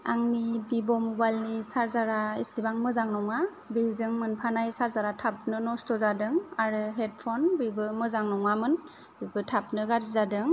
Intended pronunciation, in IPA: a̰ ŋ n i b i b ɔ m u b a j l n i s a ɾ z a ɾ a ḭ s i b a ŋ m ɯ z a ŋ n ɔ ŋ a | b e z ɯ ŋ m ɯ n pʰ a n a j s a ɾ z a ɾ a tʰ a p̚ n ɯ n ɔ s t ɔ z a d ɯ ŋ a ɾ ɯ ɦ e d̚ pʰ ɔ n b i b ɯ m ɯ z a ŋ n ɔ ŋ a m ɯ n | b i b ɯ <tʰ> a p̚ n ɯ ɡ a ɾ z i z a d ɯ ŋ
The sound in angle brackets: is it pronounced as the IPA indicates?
yes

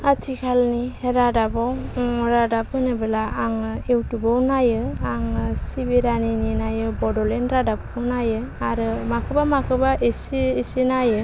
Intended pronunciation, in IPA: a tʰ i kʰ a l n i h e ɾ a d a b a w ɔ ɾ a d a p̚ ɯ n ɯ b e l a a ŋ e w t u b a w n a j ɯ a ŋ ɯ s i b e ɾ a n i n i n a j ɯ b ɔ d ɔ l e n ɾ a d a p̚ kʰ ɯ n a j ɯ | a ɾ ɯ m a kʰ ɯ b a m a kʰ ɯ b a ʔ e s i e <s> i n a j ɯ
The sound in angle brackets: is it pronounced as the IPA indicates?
yes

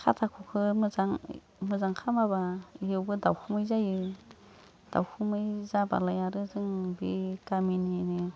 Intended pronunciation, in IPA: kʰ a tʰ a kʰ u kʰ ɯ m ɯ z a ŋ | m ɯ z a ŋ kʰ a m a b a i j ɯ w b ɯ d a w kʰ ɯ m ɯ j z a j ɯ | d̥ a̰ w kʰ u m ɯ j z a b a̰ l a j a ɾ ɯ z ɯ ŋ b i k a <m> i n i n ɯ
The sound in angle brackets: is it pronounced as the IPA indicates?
yes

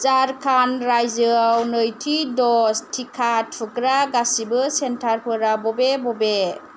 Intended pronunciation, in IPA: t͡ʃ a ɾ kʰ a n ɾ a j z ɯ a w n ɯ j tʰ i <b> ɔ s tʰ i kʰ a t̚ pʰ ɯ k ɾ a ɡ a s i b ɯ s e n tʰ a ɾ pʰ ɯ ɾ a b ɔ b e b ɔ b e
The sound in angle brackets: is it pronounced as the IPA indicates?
no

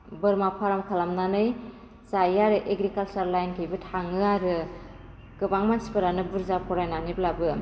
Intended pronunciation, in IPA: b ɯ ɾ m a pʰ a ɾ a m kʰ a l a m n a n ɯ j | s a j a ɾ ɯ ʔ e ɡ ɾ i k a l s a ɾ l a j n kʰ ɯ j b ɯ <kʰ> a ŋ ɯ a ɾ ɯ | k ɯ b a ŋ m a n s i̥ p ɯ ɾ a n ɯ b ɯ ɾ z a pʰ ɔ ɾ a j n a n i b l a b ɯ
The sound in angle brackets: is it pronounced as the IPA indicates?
no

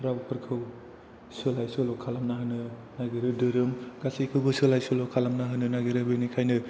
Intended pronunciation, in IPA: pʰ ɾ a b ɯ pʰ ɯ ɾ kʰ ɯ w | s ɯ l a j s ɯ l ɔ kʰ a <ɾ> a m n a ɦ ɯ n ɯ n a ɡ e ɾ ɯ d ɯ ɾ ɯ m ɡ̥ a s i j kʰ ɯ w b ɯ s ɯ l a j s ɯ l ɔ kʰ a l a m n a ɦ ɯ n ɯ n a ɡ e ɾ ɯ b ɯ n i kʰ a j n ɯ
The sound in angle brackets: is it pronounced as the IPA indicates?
no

